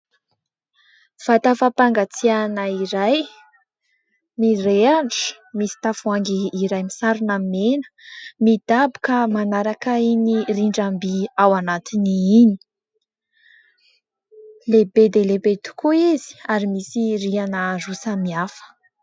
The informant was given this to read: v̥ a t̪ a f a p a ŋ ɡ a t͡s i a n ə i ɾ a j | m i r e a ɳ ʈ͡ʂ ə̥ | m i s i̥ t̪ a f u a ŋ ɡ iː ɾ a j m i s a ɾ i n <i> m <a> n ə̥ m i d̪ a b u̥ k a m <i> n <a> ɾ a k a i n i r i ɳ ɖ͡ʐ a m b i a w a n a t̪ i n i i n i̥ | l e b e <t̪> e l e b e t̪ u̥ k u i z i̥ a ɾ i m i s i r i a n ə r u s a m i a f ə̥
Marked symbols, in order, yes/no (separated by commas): no, no, no, yes, no